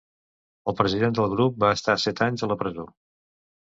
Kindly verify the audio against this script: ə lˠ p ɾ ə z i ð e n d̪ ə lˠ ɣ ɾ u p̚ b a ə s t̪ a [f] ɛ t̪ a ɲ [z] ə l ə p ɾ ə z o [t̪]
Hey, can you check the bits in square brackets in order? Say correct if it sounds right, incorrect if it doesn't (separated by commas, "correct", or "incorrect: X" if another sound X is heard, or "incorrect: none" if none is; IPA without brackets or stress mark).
incorrect: s, correct, incorrect: none